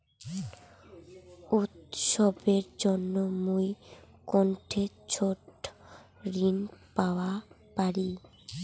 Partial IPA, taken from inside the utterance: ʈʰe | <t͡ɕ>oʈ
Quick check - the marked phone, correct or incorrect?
incorrect